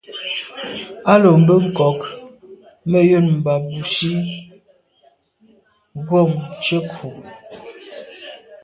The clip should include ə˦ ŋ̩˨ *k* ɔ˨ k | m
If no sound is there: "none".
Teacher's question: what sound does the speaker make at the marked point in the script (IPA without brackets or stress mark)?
k